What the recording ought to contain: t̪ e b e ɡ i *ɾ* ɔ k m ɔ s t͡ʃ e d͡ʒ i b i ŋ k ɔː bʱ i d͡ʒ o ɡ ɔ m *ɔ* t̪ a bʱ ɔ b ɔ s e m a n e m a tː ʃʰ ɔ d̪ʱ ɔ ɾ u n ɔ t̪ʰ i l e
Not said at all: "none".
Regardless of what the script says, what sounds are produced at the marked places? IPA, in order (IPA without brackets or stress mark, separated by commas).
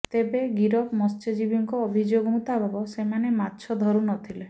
ɾ, u